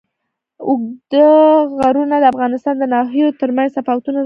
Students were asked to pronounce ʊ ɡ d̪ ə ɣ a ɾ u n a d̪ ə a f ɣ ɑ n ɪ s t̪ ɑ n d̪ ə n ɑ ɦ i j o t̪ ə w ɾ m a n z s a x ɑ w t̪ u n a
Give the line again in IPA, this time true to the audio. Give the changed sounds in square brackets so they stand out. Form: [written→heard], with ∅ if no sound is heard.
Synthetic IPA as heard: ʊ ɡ d̪ ə ɣ a ɾ u n a d̪ ə a f ɣ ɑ n ɪ s t̪ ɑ n d̪ ə n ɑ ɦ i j o t̪ ə [w→∅] ɾ m a n z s a [x→f] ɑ w t̪ u n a